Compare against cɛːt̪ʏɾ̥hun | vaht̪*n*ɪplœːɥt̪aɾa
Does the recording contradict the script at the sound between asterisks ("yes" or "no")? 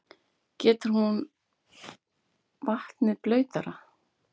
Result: no